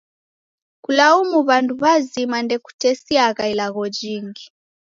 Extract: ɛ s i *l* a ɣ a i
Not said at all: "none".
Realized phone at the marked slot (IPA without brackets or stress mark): none